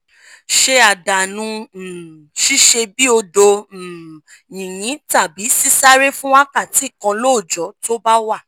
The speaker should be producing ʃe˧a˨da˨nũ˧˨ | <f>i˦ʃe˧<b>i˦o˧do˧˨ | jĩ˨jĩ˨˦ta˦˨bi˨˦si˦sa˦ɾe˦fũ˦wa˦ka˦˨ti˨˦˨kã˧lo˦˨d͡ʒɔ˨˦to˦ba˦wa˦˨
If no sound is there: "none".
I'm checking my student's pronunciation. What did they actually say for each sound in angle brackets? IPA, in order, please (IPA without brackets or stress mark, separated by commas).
ʃ, b